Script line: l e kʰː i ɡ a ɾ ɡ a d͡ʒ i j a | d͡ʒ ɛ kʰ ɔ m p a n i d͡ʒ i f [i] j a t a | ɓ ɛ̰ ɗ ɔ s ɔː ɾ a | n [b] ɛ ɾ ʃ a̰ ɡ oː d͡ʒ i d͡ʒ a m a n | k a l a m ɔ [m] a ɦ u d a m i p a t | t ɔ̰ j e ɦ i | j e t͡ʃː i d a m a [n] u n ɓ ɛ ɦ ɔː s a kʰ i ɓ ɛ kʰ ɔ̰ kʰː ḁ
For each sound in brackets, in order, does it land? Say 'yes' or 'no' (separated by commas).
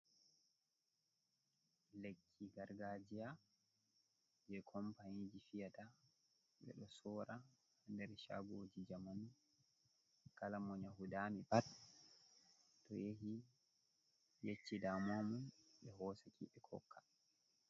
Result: yes, no, no, no